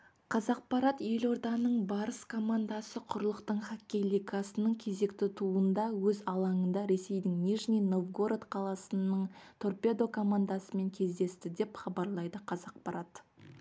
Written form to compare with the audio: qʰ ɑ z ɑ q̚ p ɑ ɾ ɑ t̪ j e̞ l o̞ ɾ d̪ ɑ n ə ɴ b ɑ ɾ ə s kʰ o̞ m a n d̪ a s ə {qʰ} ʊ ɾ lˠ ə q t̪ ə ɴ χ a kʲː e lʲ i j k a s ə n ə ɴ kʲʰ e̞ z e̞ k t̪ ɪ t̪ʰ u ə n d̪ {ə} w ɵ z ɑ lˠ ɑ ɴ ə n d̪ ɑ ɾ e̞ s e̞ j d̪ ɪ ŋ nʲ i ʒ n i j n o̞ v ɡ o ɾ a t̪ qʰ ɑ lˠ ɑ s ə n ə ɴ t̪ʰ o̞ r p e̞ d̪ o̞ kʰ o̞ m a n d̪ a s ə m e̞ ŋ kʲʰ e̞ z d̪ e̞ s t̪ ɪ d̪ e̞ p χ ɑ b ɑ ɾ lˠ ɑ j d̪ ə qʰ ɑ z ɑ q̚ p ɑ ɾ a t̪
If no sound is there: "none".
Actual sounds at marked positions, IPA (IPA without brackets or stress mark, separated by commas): qʰ, ɑ